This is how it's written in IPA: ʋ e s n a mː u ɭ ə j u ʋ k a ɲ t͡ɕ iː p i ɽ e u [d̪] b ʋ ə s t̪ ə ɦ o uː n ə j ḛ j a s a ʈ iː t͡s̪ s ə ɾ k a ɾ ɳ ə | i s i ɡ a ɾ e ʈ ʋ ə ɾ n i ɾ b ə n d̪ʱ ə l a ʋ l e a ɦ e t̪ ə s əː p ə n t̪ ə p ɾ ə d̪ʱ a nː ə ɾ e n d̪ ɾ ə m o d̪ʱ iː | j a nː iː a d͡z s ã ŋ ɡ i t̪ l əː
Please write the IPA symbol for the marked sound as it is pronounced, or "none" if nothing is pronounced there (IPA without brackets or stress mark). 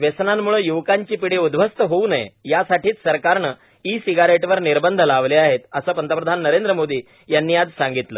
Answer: d̪